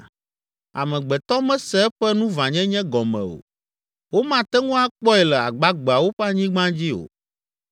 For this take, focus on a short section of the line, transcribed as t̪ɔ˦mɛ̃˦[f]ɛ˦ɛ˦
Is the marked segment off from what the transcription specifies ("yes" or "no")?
yes